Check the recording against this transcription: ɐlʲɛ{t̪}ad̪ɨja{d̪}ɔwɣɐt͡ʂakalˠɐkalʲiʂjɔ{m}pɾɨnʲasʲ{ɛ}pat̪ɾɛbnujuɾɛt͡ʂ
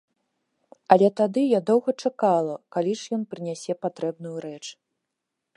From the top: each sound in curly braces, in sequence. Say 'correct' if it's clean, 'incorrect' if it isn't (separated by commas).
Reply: correct, correct, incorrect, correct